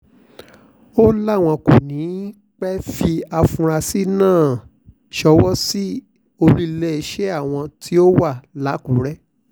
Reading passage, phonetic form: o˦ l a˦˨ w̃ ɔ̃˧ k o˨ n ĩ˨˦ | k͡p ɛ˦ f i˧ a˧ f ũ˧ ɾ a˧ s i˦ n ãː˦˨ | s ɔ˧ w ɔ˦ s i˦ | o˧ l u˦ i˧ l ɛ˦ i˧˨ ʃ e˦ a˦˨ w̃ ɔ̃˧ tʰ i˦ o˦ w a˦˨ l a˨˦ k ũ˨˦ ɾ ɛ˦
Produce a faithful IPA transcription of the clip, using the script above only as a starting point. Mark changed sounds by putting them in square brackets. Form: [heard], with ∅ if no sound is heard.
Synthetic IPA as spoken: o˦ l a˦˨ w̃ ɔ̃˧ k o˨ n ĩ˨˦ | k͡p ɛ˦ f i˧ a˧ f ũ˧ ɾ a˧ s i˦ n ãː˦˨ | [ʃ] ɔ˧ w ɔ˦ s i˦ | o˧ l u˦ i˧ l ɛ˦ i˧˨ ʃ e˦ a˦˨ w̃ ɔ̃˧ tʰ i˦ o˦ w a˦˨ l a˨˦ k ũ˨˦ ɾ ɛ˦